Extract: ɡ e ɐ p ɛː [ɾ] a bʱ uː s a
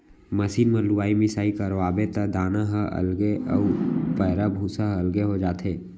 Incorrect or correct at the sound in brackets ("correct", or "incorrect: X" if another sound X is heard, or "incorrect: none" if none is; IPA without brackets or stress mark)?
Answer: correct